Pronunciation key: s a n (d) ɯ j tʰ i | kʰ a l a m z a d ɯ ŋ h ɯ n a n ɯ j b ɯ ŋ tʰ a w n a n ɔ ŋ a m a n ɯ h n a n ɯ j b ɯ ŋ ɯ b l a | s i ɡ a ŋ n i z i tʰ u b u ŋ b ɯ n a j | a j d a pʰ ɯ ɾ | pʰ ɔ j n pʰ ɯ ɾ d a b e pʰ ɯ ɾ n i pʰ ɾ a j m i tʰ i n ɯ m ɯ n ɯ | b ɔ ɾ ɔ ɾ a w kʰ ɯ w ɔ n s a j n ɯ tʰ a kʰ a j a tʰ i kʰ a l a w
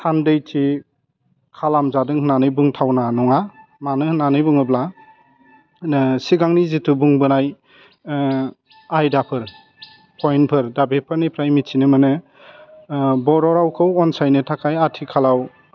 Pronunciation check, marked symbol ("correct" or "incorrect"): correct